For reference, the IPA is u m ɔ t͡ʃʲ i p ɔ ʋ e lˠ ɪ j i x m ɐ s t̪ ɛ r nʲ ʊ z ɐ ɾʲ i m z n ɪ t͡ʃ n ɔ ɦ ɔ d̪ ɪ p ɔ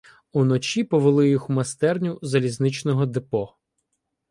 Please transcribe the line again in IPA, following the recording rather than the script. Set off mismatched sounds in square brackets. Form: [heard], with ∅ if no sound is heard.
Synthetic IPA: u [n] ɔ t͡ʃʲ i p ɔ ʋ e lˠ ɪ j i x m ɐ s t̪ ɛ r nʲ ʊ z ɐ [lʲ] i [∅] z n ɪ t͡ʃ n ɔ ɦ ɔ d̪ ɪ p ɔ

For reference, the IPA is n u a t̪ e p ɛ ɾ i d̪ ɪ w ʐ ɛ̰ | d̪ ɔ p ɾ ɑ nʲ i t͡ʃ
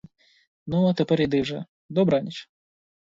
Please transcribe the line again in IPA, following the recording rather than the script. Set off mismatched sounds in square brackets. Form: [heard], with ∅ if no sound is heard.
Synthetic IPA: n u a t̪ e p ɛ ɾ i d̪ ɪ w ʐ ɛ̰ | d̪ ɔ [b] ɾ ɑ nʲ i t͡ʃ

